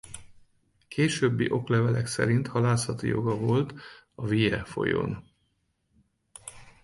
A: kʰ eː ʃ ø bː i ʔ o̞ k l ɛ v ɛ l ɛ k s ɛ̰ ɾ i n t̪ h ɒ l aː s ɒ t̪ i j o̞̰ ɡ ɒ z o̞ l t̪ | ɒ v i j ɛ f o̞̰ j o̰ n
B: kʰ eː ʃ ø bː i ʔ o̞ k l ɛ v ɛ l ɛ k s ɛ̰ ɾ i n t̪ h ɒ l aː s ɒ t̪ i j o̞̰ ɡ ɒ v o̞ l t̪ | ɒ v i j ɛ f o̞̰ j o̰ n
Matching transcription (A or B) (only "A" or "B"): B